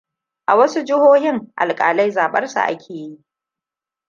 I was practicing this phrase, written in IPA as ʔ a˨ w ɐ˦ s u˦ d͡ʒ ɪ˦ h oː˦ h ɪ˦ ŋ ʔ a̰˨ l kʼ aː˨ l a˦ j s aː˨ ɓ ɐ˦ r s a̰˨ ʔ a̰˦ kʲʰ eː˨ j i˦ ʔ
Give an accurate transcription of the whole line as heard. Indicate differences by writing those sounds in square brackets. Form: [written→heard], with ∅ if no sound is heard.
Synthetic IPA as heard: ʔ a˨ w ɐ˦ s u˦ d͡ʒ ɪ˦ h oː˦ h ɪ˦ ŋ ʔ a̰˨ l kʼ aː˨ l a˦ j [s→z] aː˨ ɓ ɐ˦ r s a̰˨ ʔ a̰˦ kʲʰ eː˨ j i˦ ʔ